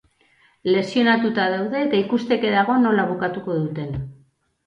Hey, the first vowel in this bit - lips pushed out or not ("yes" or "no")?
no